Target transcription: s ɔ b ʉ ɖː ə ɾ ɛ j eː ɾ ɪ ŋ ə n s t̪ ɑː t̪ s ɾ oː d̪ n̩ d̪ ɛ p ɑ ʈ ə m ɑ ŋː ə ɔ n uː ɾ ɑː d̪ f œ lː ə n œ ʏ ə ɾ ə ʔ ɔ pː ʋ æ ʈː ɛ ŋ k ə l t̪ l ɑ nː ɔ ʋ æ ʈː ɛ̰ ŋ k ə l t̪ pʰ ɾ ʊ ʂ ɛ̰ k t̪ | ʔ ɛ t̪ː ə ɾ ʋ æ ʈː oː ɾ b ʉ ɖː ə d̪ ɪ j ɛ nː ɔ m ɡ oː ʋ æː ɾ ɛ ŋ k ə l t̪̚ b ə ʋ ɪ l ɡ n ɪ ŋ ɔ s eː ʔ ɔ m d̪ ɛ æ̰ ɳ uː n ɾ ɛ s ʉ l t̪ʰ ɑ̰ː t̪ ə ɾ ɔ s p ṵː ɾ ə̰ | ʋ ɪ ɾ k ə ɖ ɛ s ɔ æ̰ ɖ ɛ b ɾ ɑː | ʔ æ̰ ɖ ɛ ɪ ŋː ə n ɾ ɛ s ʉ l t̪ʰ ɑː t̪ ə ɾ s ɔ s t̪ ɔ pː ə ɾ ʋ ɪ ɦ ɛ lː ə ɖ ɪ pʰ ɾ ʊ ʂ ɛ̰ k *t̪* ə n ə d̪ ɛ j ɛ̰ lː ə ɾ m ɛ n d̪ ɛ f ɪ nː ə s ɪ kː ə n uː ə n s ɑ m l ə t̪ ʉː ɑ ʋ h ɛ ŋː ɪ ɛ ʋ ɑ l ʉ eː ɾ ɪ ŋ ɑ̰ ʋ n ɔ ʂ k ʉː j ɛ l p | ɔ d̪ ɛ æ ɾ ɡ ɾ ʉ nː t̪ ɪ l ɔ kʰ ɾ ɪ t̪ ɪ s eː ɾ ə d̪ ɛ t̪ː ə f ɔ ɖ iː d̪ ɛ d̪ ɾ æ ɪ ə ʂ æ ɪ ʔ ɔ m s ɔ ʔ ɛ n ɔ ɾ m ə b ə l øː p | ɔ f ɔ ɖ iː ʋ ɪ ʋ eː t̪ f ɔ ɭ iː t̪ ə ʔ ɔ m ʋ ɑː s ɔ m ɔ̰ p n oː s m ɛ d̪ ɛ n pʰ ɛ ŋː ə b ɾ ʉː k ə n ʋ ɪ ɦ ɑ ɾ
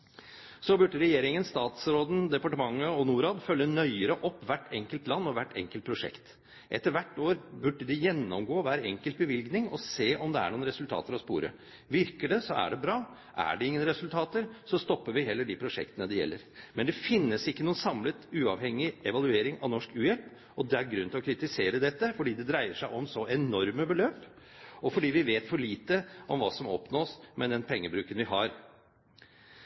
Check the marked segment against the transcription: correct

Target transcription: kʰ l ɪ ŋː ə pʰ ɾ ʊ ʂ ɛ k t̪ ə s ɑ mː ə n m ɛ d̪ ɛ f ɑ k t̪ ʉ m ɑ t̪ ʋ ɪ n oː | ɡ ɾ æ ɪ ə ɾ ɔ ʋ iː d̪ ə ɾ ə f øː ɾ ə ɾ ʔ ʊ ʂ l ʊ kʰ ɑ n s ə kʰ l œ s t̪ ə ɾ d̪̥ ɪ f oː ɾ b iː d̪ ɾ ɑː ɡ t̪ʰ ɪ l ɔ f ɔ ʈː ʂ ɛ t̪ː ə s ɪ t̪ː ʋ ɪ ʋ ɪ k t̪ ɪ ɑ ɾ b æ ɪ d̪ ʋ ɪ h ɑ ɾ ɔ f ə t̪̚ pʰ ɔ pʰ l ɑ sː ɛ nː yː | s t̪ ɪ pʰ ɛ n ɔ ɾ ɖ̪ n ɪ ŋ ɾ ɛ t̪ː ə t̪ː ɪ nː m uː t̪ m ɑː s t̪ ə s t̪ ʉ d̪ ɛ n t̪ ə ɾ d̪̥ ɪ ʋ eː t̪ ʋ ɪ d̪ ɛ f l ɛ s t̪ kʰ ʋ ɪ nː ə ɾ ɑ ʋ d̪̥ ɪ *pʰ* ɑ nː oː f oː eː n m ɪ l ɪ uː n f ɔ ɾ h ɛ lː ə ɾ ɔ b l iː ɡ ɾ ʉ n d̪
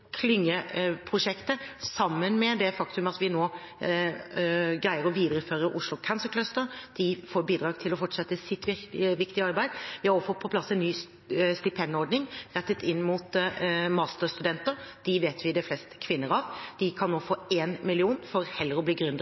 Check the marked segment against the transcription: incorrect: kʰ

